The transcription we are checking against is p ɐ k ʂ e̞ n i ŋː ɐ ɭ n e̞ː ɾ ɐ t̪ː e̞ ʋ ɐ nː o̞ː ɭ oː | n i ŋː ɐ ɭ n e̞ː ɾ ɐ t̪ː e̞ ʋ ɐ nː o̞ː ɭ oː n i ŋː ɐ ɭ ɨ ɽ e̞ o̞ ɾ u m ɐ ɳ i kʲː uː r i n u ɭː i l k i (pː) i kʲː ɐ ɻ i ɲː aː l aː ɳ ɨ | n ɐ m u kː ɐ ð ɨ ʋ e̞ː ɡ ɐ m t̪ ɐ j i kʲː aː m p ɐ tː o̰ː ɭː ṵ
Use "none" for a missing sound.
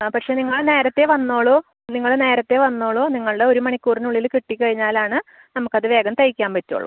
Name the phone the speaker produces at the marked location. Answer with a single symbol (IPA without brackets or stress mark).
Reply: ʈː